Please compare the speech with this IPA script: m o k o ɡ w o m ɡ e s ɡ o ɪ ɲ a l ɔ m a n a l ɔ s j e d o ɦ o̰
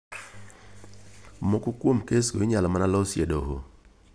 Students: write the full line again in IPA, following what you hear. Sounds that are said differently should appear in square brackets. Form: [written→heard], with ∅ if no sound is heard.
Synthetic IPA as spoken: m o k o [ɡ→k] w o m [ɡ→k] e s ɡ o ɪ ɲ a l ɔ m a n a l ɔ s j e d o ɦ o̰